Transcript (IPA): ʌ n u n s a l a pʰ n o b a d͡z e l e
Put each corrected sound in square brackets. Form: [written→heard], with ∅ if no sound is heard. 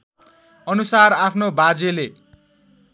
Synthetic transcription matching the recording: ʌ n u [n→∅] s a [l→r] a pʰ n o b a d͡z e l e

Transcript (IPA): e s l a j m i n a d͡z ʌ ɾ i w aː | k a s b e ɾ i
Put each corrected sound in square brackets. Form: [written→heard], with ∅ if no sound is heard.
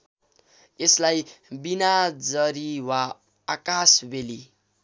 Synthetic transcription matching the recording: e s l a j [m→b] i n a d͡z ʌ ɾ i w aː | k a s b e [ɾ→l] i

